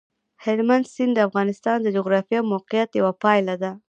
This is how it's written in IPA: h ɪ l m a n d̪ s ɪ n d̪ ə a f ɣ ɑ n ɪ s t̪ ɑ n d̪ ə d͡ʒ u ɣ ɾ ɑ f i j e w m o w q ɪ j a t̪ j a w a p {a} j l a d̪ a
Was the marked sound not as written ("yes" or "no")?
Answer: yes